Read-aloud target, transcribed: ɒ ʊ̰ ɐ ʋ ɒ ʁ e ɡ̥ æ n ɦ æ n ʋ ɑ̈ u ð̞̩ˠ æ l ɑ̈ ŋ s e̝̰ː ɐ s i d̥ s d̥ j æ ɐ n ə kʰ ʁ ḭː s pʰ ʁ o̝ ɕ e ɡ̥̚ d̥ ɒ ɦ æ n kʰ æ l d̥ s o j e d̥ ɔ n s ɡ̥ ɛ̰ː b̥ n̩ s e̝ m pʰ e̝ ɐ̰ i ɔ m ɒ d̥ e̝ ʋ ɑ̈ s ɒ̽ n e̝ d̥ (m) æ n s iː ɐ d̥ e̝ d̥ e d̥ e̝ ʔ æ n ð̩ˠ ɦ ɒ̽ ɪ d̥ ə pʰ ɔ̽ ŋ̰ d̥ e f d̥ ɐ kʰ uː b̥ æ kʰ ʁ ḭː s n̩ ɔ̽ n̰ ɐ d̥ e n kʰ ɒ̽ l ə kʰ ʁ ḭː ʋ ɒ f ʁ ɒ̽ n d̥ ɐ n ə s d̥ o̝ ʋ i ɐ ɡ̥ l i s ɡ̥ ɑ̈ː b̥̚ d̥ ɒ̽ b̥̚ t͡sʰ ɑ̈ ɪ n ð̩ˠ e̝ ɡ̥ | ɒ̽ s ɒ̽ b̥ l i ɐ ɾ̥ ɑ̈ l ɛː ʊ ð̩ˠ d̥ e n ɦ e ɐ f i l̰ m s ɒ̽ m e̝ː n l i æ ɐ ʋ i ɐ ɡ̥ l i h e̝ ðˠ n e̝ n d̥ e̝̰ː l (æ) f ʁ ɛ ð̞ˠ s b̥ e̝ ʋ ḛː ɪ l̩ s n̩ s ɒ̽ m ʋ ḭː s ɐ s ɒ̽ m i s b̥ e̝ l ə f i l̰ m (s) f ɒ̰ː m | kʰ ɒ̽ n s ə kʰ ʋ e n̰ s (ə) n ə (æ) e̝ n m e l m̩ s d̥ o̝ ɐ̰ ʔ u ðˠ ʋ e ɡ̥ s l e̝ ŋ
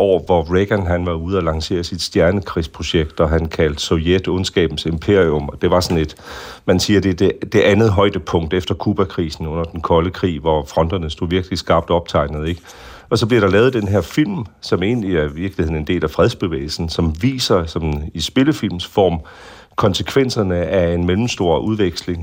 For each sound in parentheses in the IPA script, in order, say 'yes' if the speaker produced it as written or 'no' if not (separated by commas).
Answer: yes, yes, yes, no, yes